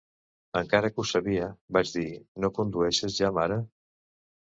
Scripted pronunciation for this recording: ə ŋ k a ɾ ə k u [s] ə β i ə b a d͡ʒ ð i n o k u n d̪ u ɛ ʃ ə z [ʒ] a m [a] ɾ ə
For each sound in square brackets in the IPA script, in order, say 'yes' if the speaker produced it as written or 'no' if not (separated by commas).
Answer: yes, yes, yes